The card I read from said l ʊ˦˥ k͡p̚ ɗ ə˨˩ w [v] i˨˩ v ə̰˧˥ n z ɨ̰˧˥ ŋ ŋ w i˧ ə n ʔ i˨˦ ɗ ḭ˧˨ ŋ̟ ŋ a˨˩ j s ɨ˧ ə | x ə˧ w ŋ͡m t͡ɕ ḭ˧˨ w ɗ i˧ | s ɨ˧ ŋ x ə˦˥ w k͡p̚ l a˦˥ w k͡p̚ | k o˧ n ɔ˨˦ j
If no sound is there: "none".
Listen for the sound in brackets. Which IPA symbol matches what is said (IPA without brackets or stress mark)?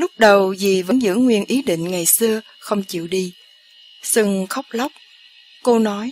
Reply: z